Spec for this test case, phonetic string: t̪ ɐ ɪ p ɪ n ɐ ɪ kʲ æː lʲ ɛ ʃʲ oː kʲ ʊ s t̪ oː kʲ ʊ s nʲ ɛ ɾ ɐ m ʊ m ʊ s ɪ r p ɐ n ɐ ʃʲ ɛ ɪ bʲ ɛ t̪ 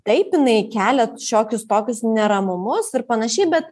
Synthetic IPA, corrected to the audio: t̪ ɐ ɪ p ɪ n ɐ ɪ kʲ æː lʲ ɛ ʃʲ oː kʲ ʊ s t̪ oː kʲ ʊ s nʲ ɛ ɾ ɐ m ʊ m ʊ s ɪ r p ɐ n ɐ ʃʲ ɛ ɪ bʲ ɛ t̪